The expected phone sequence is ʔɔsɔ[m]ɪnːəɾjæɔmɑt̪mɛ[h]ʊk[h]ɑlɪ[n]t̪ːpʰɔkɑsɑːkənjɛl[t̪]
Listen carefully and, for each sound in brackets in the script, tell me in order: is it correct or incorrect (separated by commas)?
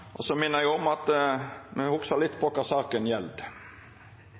correct, correct, incorrect, incorrect, incorrect